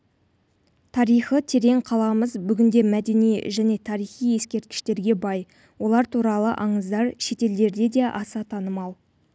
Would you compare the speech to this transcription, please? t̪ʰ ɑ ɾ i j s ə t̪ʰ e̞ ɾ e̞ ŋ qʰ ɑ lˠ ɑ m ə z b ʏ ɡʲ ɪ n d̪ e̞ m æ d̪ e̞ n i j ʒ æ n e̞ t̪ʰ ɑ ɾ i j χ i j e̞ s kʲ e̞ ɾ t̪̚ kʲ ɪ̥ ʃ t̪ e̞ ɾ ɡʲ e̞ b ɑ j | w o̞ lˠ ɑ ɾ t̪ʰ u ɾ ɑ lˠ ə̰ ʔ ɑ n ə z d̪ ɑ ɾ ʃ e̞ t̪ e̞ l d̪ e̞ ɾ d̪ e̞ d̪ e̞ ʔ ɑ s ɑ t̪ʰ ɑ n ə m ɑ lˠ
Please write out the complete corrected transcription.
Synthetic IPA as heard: t̪ʰ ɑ ɾ i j χ ə t̪ʰ e̞ ɾ e̞ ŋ qʰ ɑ lˠ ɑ m ə z b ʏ ɡʲ ɪ n d̪ e̞ m æ d̪ e̞ n i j ʒ æ n e̞ t̪ʰ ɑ ɾ i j χ i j e̞ s kʲ e̞ ɾ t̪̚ kʲ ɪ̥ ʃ t̪ e̞ ɾ ɡʲ e̞ b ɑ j | w o̞ lˠ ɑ ɾ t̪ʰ u ɾ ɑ lˠ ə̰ ʔ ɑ ɴ ə z d̪ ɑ ɾ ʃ e̞ t̪ e̞ l d̪ e̞ ɾ d̪ e̞ d̪ e̞ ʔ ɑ s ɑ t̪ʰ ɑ n ə m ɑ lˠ

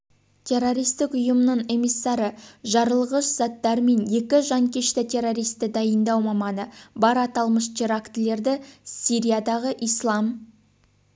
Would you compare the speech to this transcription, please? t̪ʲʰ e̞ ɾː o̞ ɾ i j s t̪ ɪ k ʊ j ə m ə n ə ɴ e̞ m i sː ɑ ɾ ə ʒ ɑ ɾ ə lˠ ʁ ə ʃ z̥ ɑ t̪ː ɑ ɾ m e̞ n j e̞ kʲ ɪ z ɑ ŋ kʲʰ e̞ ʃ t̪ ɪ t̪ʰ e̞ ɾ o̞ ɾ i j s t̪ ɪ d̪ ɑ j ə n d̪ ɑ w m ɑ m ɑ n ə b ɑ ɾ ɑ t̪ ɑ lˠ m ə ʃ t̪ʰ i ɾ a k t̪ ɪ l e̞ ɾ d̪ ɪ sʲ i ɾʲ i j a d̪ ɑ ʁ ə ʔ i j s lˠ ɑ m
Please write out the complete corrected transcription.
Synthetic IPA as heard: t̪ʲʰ e̞ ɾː o̞ ɾ i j s t̪ ɪ k ʊ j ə m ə n ə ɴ e̞ m i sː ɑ ɾ ə ʒ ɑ ɾ ə lˠ ʁ ə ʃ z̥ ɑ t̪ː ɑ ɾ m e̞ n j e̞ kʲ ɪ ʒ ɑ ŋ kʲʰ e̞ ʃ t̪ ɪ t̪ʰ e̞ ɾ o̞ ɾ i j s t̪ ɪ d̪ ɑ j ə n d̪ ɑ w m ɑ m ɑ n ə b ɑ ɾ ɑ t̪ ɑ lˠ m ə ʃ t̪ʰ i ɾ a k t̪ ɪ l e̞ ɾ d̪ ɪ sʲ i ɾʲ i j a d̪ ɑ ʁ ə ʔ i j s lˠ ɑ m

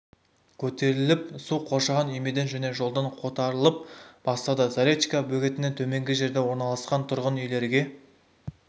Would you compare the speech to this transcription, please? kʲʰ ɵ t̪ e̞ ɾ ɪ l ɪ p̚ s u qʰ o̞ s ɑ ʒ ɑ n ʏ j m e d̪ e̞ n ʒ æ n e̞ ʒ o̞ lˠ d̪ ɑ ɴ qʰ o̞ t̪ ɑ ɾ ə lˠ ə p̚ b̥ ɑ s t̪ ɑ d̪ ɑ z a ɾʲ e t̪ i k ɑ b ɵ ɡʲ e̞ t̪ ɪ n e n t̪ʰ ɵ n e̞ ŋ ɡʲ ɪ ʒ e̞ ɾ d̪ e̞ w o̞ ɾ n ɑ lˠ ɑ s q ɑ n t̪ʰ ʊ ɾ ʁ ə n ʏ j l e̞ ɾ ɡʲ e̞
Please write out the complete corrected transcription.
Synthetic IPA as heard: kʲʰ ɵ t̪ e̞ ɾ ɪ l ɪ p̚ s u qʰ o̞ ʃ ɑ ʁ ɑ n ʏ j m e d̪ e̞ n ʒ æ n e̞ ʒ o̞ lˠ d̪ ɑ ɴ qʰ o̞ t̪ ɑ ɾ ə lˠ ə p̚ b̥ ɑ s t̪ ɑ d̪ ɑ z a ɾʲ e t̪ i k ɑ b ɵ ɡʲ e̞ t̪ ɪ n e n t̪ʰ ɵ m e̞ ŋ ɡʲ ɪ ʒ e̞ ɾ d̪ e̞ w o̞ ɾ n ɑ lˠ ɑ s q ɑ n t̪ʰ ʊ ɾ ʁ ə n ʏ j l e̞ ɾ ɡʲ e̞

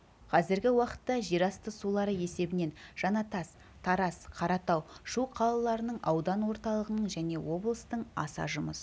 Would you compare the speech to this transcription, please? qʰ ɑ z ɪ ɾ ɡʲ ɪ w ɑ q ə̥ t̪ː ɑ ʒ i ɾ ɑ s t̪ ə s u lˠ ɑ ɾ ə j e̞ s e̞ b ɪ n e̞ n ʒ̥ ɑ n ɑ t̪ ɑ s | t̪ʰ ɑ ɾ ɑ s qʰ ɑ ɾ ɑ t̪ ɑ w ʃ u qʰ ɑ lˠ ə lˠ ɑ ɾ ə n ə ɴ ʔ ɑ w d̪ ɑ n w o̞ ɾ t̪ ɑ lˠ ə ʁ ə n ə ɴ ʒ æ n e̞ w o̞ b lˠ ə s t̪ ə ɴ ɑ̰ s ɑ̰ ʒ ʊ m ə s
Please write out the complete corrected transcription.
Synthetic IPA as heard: qʰ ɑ z ɪ ɾ ɡʲ ɪ w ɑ q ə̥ t̪ː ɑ ʒ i ɾ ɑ s t̪ ə s u lˠ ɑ ɾ ə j e̞ s e̞ b ɪ n e̞ n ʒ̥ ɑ n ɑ t̪ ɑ s | t̪ʰ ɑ ɾ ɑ s qʰ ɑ ɾ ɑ t̪ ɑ w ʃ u qʰ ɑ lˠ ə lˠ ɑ ɾ ə n ə ɴ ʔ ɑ w d̪ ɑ n w o̞ ɾ t̪ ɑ lˠ ə ʁ ə n ə ɴ ʒ æ n e̞ w o̞ b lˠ ə s t̪ ə ɴ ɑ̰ s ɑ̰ ʒ ʊ m ə s

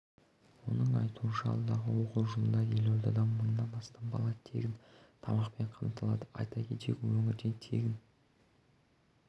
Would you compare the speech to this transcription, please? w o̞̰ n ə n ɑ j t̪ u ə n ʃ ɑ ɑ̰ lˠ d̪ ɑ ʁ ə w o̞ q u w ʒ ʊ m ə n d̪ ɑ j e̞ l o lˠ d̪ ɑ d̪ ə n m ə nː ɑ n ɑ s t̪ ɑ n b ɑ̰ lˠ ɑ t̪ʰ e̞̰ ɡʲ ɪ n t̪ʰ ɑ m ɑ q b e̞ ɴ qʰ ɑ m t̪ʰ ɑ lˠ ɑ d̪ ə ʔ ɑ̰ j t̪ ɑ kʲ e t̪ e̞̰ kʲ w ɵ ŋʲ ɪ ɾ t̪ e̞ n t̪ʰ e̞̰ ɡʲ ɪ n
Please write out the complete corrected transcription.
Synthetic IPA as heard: w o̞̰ n ə ɴ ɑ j t̪ u ə n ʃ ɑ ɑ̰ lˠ d̪ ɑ ʁ ə w o̞ q u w ʒ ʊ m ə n d̪ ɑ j e̞ l o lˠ d̪ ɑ d̪ ɑ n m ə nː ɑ n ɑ s t̪ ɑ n b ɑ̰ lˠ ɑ t̪ʰ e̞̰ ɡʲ ɪ n t̪ʰ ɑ m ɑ q p e̞ ɴ qʰ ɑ m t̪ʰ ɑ lˠ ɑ d̪ ə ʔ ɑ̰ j t̪ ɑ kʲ e t̪ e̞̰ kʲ w ɵ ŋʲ ɪ ɾ d̪ e̞ n t̪ʰ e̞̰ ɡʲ ɪ n

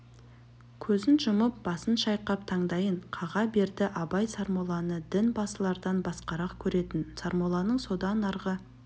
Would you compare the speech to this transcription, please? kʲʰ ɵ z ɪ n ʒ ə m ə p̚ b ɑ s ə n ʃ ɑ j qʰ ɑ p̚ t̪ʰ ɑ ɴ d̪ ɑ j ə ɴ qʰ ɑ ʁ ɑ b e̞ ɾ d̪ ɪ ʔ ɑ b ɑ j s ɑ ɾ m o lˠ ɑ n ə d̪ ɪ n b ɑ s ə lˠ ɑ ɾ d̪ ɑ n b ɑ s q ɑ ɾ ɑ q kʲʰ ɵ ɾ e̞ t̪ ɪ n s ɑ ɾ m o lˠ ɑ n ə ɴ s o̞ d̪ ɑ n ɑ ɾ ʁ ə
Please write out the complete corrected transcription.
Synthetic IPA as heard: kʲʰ ɵ z ɪ n ʒ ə m ə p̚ b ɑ s ə n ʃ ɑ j q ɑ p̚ t̪ʰ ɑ ɴ d̪ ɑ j ə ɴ qʰ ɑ ʁ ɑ b e̞ ɾ d̪ ɪ ʔ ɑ b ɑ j s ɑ ɾ m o lˠ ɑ n ə d̪ ɪ n b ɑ s ə lˠ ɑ ɾ d̪ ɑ n b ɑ s q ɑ ɾ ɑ q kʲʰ ɵ ɾ e̞ t̪ ɪ n s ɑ ɾ m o lˠ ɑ n ə ɴ s o̞ d̪ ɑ n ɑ ɾ ʁ ə

